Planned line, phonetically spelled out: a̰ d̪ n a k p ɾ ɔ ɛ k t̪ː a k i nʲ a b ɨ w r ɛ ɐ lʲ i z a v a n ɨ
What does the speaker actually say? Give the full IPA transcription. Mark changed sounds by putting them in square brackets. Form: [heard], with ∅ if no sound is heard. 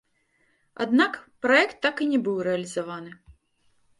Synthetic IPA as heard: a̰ d̪ n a k p ɾ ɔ ɛ k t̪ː a k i nʲ [ɛ] b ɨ w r ɛ ɐ lʲ i z a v a n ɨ